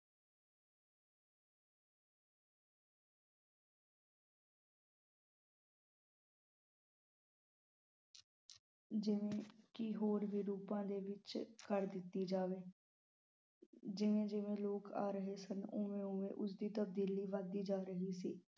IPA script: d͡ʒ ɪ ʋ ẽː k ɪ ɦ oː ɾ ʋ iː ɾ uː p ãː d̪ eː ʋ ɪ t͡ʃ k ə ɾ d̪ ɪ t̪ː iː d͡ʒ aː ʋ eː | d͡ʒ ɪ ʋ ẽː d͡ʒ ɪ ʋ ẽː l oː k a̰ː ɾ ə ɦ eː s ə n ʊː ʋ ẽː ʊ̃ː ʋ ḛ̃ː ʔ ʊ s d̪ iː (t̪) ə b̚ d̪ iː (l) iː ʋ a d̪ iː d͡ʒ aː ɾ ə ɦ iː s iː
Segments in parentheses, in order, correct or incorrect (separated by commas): correct, correct